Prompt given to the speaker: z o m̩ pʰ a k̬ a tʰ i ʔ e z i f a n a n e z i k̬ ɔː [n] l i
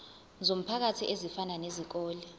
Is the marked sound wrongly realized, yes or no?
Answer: yes